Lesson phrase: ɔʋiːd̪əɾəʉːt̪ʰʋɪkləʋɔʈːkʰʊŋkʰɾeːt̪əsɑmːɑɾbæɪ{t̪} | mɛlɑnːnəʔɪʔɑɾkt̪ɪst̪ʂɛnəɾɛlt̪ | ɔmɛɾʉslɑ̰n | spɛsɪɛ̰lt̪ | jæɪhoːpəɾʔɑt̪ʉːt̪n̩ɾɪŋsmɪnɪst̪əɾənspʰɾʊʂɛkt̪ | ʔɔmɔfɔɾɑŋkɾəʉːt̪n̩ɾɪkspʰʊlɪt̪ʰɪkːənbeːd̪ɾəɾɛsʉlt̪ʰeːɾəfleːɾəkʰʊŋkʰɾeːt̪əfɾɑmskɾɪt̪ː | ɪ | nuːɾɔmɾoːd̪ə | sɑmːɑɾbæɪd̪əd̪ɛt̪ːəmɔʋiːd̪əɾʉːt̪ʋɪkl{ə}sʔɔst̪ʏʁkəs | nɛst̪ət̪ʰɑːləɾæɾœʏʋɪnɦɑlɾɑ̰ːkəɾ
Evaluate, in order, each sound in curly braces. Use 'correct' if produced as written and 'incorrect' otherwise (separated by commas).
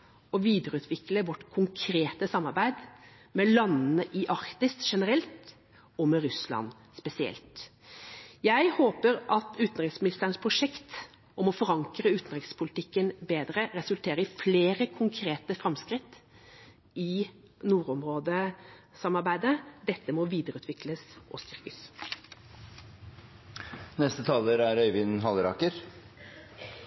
incorrect, correct